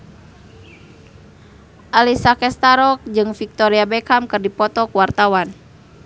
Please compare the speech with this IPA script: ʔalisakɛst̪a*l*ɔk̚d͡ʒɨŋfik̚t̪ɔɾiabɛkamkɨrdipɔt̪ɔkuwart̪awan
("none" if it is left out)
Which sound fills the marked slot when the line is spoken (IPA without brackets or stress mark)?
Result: ɾ